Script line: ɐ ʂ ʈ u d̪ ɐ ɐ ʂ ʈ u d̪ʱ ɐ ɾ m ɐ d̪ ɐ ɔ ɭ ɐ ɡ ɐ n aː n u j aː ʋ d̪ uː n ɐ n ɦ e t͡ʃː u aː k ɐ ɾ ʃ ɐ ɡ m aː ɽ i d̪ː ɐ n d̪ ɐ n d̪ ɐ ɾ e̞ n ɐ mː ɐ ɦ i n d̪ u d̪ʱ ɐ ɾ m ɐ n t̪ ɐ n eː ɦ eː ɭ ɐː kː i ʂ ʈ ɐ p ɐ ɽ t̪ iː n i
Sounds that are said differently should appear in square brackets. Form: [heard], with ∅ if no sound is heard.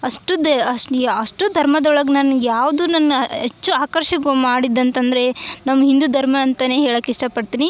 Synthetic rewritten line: ɐ ʂ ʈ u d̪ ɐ ɐ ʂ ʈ u d̪ʱ ɐ ɾ m ɐ d̪ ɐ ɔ ɭ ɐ ɡ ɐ n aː n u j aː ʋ d̪ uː n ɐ n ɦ e t͡ʃː u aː k ɐ ɾ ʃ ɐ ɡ m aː ɽ i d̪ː ɐ n [t̪] ɐ n d̪ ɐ ɾ e̞ n ɐ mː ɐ ɦ i n d̪ u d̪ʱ ɐ ɾ m ɐ n t̪ ɐ n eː ɦ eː ɭ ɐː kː i ʂ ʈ ɐ p ɐ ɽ t̪ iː n i